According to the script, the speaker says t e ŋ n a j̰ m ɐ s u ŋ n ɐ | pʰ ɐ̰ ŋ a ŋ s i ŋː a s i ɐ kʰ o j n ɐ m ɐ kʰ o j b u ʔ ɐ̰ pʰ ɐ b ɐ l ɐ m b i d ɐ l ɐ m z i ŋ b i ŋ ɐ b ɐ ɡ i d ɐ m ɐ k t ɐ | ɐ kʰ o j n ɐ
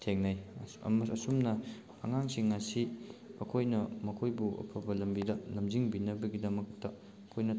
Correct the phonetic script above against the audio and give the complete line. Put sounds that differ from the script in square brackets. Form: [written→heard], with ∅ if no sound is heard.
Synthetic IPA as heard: [t→tʰ] e ŋ n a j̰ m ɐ s u [ŋ→m] n ɐ | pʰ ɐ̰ ŋ a ŋ s i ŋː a s i ɐ kʰ o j n ɐ m ɐ kʰ o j b u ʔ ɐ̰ pʰ ɐ b ɐ l ɐ m b i d ɐ l ɐ m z i ŋ b i [ŋ→n] ɐ b ɐ ɡ i d ɐ m ɐ k t ɐ | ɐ kʰ o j n ɐ